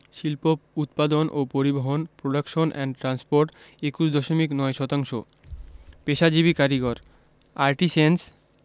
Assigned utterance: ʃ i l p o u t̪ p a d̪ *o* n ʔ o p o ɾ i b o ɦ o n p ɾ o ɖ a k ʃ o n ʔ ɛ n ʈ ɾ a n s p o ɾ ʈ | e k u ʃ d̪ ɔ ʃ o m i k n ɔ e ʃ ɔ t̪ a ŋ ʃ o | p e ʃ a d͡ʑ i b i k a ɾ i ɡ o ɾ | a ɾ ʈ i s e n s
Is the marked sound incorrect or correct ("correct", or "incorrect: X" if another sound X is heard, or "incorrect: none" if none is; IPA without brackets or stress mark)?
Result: correct